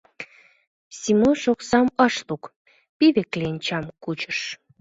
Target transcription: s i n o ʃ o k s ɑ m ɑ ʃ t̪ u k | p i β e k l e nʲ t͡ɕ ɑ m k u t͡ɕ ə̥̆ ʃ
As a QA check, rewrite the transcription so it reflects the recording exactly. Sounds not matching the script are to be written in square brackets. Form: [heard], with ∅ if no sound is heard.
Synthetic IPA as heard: s i [m] o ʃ o k s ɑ m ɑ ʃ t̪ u k | p i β e k l e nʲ t͡ɕ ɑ m k u t͡ɕ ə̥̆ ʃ